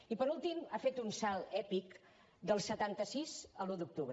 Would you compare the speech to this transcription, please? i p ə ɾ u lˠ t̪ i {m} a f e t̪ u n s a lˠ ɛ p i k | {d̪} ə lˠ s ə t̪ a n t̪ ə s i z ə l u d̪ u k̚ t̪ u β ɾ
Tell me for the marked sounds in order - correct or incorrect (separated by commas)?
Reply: correct, correct